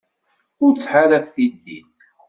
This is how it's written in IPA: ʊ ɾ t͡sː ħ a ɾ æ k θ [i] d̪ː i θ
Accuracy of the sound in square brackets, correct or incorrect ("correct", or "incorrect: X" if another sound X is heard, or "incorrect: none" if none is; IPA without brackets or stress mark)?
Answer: correct